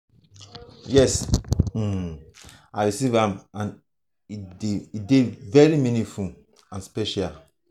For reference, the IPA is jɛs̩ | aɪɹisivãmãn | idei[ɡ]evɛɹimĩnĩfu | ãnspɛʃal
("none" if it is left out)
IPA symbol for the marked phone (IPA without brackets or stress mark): d